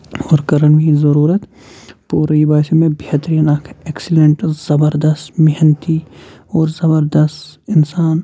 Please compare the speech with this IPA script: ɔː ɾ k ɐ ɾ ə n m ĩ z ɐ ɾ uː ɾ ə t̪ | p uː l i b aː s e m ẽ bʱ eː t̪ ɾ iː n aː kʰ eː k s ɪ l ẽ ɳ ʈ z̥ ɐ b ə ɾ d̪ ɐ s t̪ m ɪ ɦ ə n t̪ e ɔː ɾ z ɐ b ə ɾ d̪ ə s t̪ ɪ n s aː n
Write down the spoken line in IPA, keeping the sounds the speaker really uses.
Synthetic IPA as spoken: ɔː ɾ k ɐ ɾ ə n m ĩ z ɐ ɾ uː ɾ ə t̪ | p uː ɾ i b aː s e m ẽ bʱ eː t̪ ɾ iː n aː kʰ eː k s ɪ l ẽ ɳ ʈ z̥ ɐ b ə ɾ d̪ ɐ s t̪ m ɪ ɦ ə n t̪ i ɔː ɾ z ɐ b ə ɾ d̪ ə s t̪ ɪ n s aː n